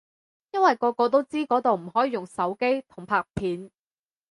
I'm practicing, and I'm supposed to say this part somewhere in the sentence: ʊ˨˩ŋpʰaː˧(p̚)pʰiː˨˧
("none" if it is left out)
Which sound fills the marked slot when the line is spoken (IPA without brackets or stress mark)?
k̚